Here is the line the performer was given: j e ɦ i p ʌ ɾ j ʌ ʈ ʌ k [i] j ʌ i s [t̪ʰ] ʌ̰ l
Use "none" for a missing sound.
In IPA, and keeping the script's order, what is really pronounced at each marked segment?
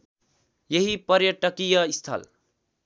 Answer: i, t̪ʰ

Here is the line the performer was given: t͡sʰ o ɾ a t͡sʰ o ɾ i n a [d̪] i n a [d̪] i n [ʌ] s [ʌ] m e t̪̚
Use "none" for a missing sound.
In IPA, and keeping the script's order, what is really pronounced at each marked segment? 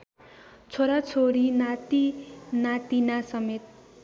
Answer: t̪, t̪, a, ʌ

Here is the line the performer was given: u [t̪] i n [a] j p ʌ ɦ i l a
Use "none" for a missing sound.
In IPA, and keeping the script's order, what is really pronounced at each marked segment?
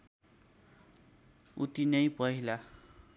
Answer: t̪, ʌ

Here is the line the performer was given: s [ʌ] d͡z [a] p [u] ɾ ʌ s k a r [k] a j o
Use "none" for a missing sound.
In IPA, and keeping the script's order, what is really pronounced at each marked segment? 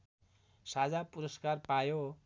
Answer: a, a, u, p

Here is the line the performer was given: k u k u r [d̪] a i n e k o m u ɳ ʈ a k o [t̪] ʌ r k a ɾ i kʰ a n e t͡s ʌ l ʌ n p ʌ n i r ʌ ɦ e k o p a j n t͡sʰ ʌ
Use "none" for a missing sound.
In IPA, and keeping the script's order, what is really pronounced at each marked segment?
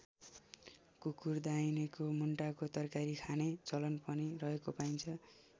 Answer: d̪, t̪

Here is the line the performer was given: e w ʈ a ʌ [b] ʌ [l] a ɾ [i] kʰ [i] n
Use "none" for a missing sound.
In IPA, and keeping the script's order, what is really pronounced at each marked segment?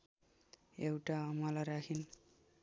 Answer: m, l, a, i

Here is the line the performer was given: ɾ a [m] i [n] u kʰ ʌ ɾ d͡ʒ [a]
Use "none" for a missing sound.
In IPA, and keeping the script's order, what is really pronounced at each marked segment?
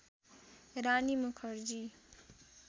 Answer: n, m, i

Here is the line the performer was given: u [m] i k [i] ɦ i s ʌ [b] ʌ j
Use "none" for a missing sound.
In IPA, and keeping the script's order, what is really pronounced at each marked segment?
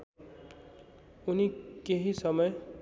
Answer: n, e, m

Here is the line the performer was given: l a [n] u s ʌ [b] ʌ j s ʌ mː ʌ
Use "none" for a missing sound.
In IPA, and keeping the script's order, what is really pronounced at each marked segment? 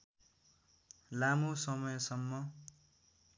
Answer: m, m

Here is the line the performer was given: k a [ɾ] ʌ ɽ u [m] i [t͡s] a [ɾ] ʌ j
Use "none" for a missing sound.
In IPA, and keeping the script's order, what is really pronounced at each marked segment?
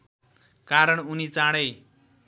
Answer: ɾ, n, t͡s, ɽ

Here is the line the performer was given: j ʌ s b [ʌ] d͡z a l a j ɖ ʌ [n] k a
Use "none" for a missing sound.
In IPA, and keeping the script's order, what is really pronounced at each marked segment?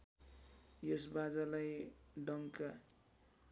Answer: a, ŋ

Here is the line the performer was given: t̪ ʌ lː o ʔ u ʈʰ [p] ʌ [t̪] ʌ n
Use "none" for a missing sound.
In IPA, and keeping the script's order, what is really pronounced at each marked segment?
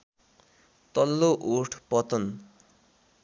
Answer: p, t̪

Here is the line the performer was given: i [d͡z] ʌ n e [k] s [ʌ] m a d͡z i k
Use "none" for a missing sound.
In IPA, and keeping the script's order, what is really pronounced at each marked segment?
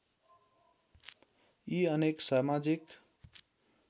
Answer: none, k, a

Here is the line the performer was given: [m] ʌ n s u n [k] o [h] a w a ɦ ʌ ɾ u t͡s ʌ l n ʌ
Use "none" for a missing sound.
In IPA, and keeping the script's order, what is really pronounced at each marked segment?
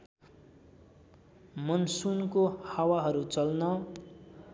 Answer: m, k, h

